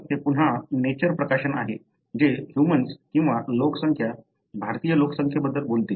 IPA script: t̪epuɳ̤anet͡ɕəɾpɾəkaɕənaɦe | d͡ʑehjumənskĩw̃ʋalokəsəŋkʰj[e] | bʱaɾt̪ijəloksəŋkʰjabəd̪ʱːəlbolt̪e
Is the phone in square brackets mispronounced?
yes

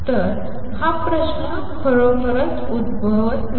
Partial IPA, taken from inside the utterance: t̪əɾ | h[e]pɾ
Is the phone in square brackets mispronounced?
yes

